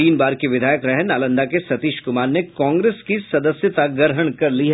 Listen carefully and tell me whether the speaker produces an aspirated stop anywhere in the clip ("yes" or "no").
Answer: no